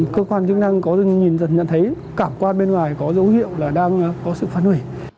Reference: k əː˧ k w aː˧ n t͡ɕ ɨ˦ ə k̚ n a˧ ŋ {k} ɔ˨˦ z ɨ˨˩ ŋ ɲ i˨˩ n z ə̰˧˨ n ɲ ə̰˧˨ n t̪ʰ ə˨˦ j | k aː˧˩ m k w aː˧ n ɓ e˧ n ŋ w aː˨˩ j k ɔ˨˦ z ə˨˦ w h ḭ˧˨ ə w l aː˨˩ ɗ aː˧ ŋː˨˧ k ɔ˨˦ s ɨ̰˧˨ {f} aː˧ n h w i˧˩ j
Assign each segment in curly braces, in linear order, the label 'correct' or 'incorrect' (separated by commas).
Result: correct, correct